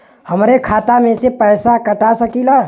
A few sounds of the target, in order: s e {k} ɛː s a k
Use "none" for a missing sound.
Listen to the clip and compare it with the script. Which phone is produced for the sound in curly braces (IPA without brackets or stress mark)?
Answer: p